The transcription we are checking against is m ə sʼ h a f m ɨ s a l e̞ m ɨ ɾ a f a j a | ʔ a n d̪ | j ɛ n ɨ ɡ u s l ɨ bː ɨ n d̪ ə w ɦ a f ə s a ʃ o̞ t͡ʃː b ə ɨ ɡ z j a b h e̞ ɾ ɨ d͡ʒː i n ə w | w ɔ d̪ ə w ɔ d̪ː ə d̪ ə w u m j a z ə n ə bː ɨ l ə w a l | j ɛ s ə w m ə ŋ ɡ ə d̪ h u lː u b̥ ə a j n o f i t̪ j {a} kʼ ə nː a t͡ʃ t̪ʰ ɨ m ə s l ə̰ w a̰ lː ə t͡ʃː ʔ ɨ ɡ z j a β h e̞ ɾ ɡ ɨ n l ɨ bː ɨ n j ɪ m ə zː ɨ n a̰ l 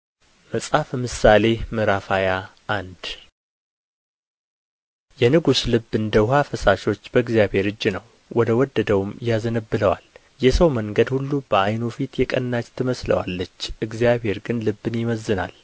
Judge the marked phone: incorrect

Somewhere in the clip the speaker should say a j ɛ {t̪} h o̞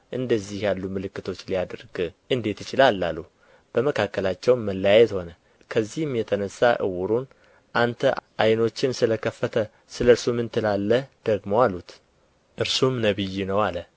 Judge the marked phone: correct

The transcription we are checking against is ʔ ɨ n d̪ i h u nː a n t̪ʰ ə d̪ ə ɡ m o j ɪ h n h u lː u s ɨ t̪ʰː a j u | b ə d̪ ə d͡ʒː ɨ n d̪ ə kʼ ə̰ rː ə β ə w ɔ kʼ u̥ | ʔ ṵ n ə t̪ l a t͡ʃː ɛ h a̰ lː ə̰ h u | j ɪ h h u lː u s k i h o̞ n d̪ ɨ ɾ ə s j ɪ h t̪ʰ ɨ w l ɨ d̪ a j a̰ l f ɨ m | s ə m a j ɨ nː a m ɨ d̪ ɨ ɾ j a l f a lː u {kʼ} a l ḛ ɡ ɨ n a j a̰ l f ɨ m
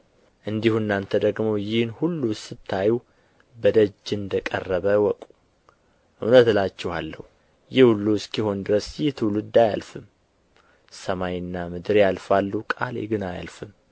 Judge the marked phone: correct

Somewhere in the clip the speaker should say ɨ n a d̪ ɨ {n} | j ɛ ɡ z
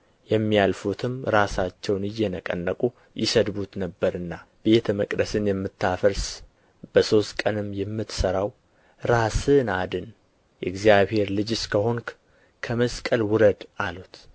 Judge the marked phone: correct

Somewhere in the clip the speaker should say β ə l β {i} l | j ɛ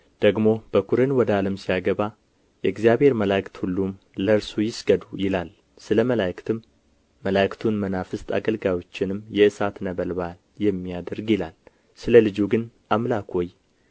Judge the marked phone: incorrect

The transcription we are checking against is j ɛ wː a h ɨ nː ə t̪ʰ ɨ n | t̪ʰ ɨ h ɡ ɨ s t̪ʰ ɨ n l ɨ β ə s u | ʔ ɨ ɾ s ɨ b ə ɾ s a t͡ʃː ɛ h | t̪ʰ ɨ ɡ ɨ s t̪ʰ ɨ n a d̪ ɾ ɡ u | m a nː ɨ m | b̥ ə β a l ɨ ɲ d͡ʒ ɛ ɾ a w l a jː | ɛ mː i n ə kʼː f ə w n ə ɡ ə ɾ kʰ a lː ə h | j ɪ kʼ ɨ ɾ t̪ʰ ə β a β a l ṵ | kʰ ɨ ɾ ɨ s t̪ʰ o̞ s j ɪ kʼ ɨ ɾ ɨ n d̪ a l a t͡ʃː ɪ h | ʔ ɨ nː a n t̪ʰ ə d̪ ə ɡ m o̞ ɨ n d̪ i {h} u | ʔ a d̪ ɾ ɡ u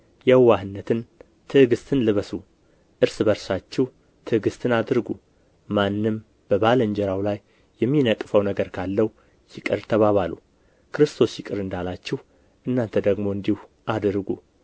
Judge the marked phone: correct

